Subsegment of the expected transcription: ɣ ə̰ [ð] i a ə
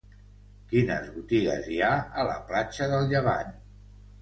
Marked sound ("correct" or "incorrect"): incorrect